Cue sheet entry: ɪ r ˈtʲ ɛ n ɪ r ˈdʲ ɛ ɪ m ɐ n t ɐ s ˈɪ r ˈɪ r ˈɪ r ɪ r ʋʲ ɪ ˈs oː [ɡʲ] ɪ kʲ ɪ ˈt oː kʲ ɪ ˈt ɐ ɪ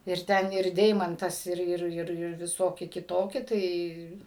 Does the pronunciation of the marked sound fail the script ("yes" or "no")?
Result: yes